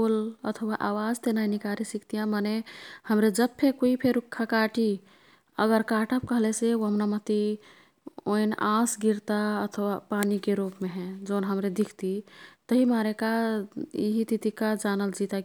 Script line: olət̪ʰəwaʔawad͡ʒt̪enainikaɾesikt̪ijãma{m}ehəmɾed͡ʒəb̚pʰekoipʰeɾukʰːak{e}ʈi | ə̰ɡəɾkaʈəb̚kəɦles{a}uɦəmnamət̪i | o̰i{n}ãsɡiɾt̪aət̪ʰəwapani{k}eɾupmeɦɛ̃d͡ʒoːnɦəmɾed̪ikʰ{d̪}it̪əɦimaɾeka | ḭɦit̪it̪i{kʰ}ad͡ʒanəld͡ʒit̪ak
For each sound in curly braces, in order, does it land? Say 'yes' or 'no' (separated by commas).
no, no, no, yes, yes, no, no